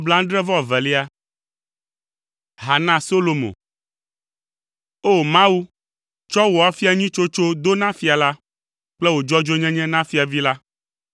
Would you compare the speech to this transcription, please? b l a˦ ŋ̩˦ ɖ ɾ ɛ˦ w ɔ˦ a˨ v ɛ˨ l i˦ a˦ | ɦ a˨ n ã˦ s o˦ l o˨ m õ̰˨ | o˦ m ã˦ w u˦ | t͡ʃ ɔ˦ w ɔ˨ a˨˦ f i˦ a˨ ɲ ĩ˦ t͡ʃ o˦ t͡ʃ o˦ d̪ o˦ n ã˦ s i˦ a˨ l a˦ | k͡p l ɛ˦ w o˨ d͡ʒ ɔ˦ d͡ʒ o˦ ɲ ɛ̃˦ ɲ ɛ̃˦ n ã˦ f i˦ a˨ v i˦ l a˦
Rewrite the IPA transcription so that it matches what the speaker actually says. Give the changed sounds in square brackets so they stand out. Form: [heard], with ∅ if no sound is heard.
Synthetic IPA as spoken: b l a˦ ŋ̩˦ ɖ ɾ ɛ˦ [v] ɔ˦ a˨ v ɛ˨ l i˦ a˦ | ɦ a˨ n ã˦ s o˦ l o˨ m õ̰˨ | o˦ m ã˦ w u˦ | t͡ʃ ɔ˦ w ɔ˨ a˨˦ f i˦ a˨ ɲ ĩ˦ t͡ʃ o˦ t͡ʃ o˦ d̪ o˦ n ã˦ [f] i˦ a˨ l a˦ | k͡p l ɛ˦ w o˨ d͡ʒ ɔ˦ d͡ʒ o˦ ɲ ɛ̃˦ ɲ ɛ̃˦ n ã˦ f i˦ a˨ v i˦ l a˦